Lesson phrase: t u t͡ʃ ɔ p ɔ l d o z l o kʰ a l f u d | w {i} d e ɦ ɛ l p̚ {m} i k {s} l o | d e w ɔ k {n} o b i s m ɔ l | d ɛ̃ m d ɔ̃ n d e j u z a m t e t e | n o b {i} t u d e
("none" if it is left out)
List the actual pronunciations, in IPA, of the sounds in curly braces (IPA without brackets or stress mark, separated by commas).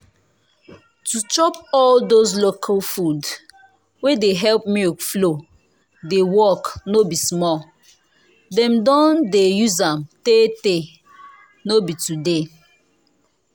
e, m, f, n, i